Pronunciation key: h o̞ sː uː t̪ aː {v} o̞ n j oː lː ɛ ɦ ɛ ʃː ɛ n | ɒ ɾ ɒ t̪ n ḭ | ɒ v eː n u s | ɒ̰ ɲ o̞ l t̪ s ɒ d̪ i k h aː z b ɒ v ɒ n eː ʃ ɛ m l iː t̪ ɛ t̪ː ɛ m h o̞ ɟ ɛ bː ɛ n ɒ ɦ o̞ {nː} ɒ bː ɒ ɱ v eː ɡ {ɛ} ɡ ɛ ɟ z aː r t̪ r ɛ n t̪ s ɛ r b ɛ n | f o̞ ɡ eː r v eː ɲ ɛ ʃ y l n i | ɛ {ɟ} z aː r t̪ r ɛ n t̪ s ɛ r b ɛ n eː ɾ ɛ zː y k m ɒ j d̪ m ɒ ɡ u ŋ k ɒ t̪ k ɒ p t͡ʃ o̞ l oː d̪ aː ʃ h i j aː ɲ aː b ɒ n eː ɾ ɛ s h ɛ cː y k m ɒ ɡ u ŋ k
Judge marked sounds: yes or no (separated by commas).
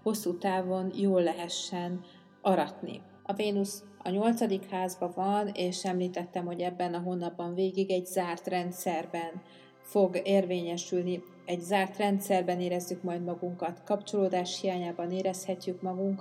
yes, yes, no, yes